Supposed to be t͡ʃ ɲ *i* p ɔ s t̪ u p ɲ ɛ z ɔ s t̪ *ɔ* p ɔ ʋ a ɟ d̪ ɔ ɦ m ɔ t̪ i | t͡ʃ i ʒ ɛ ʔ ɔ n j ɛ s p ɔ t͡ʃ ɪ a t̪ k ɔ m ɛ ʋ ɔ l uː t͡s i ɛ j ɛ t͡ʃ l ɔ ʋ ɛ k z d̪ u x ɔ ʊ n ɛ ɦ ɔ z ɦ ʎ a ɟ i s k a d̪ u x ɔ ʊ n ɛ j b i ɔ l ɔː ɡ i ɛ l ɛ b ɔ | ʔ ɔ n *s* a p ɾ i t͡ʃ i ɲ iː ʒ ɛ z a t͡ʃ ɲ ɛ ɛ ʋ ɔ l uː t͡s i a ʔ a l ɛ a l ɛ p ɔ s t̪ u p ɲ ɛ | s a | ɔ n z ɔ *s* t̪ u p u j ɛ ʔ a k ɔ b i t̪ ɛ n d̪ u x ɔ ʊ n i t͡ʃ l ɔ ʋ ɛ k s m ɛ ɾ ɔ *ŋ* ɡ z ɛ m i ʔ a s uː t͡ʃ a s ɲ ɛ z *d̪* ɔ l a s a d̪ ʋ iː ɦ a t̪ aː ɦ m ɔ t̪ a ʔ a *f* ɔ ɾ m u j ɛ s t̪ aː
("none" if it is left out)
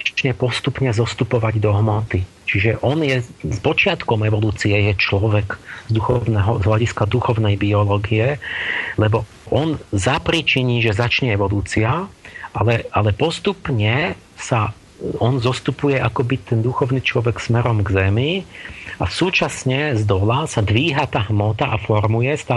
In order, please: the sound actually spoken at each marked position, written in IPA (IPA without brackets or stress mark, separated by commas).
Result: ɛ, u, z, s, m, d̪, f